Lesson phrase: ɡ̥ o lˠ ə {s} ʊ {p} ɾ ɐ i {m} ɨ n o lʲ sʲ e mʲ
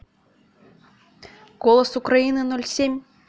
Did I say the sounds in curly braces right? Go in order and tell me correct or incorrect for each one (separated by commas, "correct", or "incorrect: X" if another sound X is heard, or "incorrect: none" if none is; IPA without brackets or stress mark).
correct, incorrect: k, incorrect: n